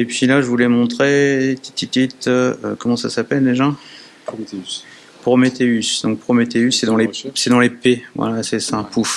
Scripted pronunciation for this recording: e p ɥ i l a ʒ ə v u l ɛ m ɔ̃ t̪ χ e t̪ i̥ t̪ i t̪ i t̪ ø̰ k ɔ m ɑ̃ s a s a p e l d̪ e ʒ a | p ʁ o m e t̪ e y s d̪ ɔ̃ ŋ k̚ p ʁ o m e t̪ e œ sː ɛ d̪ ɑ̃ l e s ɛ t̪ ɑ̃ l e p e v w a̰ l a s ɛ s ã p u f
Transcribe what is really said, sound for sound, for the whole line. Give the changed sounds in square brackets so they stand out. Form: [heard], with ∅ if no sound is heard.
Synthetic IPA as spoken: e p ɥ i l a ʒ ə v u l ɛ m ɔ̃ t̪ χ e t̪ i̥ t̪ i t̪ i t̪ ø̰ k ɔ m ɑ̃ s a s a p [ɛ] l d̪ e ʒ a | p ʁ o m e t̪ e y s d̪ ɔ̃ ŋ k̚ p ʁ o m e t̪ e [y] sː ɛ d̪ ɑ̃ l e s ɛ [d̪] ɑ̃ l e p e v w a̰ l a s ɛ s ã p u f